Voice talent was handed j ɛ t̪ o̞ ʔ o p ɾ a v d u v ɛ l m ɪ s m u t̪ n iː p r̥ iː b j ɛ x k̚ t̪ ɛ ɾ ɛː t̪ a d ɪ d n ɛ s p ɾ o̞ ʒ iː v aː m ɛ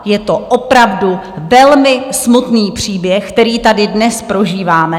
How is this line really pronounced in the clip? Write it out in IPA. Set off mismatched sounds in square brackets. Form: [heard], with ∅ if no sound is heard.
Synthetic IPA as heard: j ɛ t̪ o̞ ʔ o p ɾ a v d u v ɛ l m ɪ s m u t̪ n iː p r̥ iː b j ɛ x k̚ t̪ ɛ ɾ [iː] t̪ a d ɪ d n ɛ s p ɾ o̞ ʒ iː v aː m ɛ